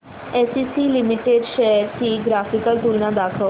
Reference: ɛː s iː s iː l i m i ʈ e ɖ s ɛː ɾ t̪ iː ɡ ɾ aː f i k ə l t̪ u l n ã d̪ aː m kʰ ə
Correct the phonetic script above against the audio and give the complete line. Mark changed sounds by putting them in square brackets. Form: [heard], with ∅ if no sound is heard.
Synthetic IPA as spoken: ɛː s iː s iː l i m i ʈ e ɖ [ʃ] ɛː ɾ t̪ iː ɡ ɾ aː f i k ə l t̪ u l n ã d̪ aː [∅] kʰ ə